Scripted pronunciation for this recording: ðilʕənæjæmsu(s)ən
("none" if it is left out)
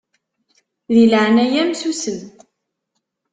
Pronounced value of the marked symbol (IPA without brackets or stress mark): s